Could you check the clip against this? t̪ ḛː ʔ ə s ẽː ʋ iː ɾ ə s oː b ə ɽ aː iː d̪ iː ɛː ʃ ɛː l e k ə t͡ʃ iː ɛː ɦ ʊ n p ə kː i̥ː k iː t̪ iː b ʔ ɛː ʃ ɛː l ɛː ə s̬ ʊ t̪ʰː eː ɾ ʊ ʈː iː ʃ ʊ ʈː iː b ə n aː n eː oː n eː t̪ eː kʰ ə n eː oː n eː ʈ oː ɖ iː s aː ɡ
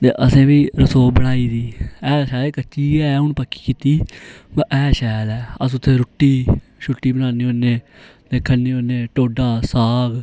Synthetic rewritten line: t̪ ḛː ʔ ə s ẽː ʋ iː ɾ ə s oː b ə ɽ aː iː d̪ iː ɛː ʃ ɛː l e k ə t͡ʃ iː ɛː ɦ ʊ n p ə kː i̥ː k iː t̪ iː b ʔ ɛː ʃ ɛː l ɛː ə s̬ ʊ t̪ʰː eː ɾ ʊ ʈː iː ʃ ʊ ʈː iː b ə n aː n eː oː n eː t̪ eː kʰ ə n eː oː n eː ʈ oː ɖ aː s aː ɡ

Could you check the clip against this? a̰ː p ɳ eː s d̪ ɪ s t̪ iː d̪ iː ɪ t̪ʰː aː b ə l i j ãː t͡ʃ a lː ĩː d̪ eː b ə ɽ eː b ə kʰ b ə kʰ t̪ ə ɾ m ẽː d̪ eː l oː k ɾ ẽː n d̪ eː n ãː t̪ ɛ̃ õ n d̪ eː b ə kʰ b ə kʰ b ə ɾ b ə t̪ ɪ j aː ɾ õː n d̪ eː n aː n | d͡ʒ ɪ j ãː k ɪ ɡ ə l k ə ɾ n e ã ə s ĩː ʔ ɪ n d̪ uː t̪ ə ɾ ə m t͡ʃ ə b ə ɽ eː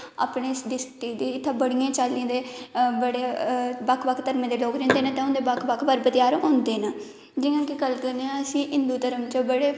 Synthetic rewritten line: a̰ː p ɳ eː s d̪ ɪ s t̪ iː d̪ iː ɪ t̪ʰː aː b ə ɽ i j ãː t͡ʃ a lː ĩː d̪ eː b ə ɽ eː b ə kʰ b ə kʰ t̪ ə ɾ m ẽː d̪ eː l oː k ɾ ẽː n d̪ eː n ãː t̪ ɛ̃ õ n d̪ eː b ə kʰ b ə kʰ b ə ɾ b ə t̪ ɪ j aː ɾ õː n d̪ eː n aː | d͡ʒ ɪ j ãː k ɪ ɡ ə l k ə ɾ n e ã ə s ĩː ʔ ɪ n d̪ uː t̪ ə ɾ ə m t͡ʃ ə b ə ɽ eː

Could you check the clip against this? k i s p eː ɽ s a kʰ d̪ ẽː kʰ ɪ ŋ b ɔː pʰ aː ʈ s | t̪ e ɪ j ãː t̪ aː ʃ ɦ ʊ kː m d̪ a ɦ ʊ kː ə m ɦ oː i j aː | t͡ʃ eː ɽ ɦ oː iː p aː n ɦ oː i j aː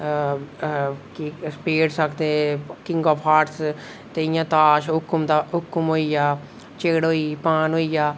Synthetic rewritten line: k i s p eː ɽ s ə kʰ d̪ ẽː k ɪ ŋ ɡ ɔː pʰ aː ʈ s | t̪ e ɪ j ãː t̪ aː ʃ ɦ ʊ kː m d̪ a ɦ ʊ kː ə m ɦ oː i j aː | t͡ʃ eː ɽ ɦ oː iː p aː n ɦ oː i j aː

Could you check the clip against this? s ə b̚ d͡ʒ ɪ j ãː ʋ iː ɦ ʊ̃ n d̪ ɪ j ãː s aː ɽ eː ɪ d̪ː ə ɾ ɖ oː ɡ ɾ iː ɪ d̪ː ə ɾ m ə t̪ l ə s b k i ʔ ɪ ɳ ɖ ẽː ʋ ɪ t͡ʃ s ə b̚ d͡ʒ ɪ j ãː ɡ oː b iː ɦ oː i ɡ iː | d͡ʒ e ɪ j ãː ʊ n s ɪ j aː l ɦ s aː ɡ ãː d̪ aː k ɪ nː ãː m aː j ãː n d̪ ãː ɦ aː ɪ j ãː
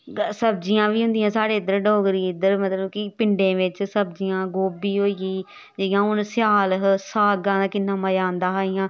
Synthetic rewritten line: s ə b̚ d͡ʒ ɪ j ãː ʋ iː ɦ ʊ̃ n d̪ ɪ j ãː s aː ɽ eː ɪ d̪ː ə ɾ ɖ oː ɡ ɾ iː ɪ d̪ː ə ɾ m ə t̪ l ə b k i p ɪ ɳ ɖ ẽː ʋ ɪ t͡ʃ s ə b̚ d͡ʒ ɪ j ãː ɡ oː b iː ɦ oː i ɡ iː | d͡ʒ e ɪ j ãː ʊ n s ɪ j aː l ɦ s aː ɡ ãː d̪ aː k ɪ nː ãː m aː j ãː n d̪ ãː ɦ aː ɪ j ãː

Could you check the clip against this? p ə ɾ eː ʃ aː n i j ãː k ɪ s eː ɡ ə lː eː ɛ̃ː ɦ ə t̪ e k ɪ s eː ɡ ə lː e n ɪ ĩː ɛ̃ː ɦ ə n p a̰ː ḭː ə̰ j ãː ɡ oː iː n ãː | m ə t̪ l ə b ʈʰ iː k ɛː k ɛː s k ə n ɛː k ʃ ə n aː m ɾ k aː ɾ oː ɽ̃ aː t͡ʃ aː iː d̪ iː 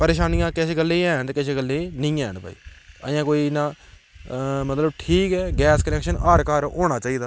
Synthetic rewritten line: p ə ɾ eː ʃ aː n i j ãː k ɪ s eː ɡ ə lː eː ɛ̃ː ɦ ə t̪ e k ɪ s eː ɡ ə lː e n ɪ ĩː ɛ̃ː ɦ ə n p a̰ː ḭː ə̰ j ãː k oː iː n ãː | m ə t̪ l ə b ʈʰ iː k ɛː ɡ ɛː s k ə n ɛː k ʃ ə n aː ɾ k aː ɾ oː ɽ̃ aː t͡ʃ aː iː d̪ aː

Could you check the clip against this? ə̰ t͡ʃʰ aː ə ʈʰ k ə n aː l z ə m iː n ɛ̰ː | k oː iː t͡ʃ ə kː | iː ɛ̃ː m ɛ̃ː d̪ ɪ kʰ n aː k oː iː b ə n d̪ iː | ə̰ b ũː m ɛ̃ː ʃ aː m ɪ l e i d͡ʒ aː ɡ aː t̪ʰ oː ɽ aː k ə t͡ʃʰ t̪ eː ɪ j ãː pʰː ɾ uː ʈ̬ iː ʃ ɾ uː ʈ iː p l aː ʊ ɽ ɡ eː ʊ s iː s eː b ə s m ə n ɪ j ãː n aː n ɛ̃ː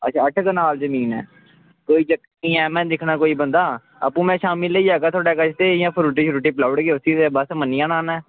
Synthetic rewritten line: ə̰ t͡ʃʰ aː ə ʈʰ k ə n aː l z ə m iː n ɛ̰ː | k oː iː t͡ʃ ə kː | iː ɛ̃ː m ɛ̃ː d̪ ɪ kʰ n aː k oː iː b ə n d̪ aː | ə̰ p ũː m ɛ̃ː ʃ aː m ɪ l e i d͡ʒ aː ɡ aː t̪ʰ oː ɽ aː k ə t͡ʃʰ t̪ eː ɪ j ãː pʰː ɾ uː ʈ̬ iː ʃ ɾ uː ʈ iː p l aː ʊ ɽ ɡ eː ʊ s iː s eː b ə s m ə n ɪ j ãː n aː n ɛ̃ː

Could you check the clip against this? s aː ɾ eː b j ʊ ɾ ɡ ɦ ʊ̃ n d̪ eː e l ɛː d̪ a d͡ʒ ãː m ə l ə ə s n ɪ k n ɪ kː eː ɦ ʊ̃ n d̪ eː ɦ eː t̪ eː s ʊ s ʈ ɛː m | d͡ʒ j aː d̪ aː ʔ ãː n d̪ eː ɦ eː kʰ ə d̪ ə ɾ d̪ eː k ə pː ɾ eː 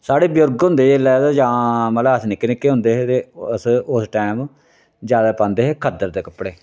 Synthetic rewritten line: s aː ɽ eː b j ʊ ɾ ɡ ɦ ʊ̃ n d̪ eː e l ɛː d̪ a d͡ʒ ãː m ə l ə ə s n ɪ k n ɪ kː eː ɦ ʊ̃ n d̪ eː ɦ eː t̪ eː s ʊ s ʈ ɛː m | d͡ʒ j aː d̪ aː p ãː n d̪ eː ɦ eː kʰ ə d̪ ə ɾ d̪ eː k ə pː ɽ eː

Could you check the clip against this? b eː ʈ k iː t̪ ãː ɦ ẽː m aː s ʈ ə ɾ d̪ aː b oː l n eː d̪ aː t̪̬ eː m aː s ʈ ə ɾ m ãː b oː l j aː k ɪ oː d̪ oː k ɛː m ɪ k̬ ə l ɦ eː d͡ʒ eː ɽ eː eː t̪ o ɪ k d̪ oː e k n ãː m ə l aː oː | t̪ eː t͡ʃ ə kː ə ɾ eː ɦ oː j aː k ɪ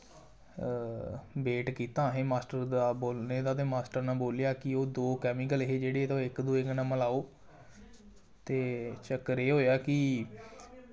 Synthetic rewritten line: b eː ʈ k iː t̪ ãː ɦ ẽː m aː s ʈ ə ɾ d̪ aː b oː l n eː d̪ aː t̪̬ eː m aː s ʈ ə ɾ n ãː b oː l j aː k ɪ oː d̪ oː k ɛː m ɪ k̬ ə l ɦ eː d͡ʒ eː ɽ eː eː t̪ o ɪ k d̪ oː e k n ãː m ə l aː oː | t̪ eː t͡ʃ ə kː ə ɾ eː ɦ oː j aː k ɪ

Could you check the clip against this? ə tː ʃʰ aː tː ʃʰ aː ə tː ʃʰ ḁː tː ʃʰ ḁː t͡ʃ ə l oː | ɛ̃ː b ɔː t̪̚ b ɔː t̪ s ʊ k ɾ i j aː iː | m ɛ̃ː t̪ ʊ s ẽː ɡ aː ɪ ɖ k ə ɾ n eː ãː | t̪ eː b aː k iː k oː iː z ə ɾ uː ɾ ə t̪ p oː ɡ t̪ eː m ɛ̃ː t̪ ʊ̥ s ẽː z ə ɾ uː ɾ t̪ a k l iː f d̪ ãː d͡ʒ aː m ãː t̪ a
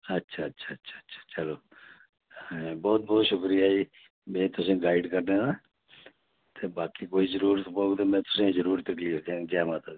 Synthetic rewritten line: ə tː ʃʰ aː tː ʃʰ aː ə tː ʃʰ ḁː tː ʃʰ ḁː t͡ʃ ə l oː | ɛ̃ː b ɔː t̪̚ b ɔː t̪ ʃ ʊ k ɾ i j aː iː | m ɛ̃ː t̪ ʊ s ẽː ɡ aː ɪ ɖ k ə ɾ n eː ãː | t̪ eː b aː k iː k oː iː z ə ɾ uː ɾ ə t̪ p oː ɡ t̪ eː m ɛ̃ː t̪ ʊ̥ s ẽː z ə ɾ uː ɾ t̪ ə k l iː f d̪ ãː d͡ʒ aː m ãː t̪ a

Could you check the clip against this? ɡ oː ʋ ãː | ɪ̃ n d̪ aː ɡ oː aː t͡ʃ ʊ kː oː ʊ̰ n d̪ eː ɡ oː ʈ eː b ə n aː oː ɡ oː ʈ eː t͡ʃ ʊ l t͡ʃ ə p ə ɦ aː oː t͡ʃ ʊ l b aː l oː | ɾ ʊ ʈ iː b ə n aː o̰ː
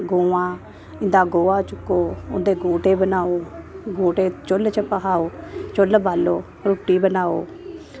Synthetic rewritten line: ɡ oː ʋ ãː | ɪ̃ n d̪ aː ɡ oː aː t͡ʃ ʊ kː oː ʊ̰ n d̪ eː ɡ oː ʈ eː b ə n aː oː ɡ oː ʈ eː t͡ʃ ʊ l t͡ʃ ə p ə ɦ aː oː t͡ʃ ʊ l b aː l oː | ɾ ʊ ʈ iː b ə n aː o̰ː

